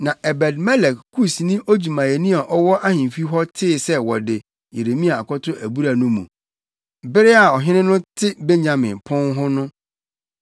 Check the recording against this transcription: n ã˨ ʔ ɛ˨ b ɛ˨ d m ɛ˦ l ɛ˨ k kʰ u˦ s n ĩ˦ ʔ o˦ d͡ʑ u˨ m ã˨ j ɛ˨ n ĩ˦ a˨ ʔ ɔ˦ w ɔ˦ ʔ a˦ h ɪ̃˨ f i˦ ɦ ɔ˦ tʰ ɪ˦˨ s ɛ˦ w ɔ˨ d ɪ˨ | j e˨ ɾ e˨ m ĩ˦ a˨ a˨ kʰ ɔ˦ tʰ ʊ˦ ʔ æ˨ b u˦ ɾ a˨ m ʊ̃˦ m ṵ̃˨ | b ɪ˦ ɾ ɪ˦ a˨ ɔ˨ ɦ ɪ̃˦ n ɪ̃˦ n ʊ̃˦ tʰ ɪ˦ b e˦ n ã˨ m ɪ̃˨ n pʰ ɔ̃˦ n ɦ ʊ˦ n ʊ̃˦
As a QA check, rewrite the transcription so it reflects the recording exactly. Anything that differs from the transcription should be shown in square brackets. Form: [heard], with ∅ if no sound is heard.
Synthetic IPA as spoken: n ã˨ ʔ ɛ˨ b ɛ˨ d m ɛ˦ l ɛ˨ k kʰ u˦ s n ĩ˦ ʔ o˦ d͡ʑ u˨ m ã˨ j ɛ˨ n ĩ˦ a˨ ʔ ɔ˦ w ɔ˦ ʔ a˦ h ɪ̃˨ f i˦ ɦ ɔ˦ tʰ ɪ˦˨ s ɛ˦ w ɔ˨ d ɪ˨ | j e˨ ɾ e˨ m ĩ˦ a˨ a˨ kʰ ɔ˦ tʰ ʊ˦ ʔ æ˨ b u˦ ɾ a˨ [n] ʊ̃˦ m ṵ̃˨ | b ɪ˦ ɾ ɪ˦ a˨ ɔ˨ ɦ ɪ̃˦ n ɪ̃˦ n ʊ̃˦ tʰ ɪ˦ b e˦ [ɲ] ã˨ m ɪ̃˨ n pʰ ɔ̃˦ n ɦ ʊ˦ n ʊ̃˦

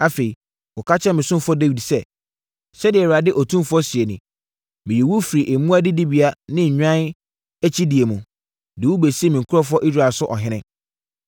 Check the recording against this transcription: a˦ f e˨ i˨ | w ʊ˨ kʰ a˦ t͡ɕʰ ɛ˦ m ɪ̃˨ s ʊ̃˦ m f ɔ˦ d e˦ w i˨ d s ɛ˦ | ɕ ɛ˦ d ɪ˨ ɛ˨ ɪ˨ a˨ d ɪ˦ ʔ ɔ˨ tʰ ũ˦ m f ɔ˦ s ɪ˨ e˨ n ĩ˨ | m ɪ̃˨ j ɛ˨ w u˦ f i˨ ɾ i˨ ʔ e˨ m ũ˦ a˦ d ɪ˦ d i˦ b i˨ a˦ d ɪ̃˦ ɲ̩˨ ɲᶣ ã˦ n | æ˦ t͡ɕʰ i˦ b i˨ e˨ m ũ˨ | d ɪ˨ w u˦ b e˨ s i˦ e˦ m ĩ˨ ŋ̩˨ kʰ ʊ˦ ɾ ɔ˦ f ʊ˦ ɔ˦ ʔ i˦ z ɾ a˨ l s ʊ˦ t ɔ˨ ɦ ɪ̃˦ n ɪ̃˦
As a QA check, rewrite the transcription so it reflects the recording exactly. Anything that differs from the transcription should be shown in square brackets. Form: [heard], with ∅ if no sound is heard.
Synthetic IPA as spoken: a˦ f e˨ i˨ | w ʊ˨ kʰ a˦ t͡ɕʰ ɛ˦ m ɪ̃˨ s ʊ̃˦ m f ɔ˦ d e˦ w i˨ d s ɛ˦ | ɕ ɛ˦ d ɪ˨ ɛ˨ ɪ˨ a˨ d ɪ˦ ʔ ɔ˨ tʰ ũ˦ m f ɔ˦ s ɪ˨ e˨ n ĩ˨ | m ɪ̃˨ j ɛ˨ w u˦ f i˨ ɾ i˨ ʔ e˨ m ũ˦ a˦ d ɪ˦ d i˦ b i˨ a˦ [n] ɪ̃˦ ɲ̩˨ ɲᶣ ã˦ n | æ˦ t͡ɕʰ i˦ [d] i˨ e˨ m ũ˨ | d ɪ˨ w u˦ b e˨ s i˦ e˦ m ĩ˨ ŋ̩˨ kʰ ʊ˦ ɾ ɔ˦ f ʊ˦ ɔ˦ ʔ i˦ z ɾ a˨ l s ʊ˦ [ʔ] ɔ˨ ɦ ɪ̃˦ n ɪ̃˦

